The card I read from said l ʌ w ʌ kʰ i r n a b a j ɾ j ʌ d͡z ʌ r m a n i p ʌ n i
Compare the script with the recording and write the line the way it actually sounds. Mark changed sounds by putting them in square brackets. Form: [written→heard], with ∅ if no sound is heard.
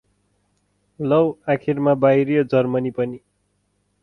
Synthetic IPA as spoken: l ʌ w [ʌ→a] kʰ i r [n→m] a b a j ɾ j ʌ d͡z ʌ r m [a→ʌ] n i p ʌ n i